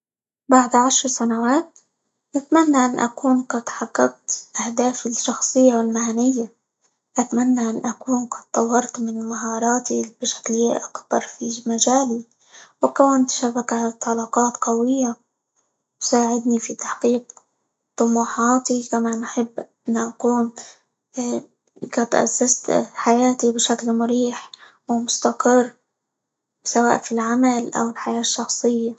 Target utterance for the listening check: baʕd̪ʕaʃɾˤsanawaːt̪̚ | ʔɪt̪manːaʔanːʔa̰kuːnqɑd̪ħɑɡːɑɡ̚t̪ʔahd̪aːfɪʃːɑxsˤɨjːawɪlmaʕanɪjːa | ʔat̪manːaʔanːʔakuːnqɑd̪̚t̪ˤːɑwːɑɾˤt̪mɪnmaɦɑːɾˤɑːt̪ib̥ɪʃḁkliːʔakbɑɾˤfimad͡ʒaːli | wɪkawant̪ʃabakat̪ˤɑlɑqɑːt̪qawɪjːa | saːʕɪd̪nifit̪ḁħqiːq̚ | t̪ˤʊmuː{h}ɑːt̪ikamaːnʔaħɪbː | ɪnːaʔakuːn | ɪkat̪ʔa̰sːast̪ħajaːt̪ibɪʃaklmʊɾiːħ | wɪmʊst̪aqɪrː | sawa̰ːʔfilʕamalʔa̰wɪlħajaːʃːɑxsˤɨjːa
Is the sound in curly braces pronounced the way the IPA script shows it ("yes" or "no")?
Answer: no